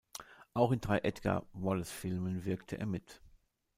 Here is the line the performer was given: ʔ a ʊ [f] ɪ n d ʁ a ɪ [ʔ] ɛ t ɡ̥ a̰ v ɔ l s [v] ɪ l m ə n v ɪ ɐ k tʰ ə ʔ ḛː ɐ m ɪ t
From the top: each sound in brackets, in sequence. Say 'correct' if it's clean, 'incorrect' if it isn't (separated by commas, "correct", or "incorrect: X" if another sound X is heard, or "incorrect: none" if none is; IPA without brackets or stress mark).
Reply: incorrect: x, correct, incorrect: f